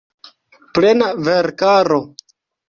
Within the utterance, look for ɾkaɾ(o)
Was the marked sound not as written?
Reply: no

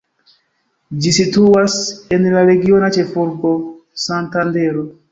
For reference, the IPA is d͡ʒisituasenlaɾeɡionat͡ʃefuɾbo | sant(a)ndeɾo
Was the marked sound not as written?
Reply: no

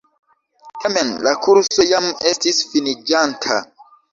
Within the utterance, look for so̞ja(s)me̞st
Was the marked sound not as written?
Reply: yes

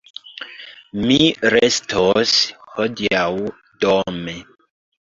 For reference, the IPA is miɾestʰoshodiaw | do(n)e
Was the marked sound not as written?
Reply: yes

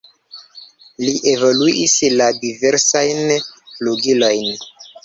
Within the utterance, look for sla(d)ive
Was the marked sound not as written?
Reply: no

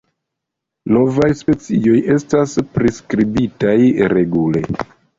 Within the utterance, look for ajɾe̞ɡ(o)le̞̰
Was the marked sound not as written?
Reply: yes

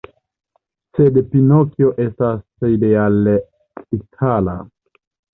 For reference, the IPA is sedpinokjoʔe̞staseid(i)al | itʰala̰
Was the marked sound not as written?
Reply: yes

